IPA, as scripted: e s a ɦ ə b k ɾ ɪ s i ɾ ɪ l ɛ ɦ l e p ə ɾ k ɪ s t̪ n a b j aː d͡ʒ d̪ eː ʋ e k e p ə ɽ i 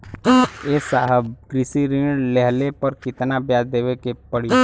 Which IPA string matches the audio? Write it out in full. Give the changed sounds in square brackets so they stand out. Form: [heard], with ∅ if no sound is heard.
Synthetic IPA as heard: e s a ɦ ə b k ɾ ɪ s i ɾ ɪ l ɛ ɦ l e p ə ɾ k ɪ [∅] t̪ n a b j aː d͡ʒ d̪ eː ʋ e k e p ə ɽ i